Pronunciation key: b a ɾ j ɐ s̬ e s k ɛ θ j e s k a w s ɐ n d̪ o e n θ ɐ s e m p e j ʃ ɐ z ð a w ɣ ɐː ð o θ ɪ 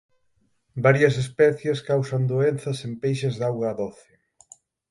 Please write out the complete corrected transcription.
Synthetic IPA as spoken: b a ɾ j ɐ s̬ e s p ɛ θ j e s k a w s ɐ n d̪ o e n θ ɐ s e m p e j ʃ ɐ z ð a w ɣ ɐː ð o θ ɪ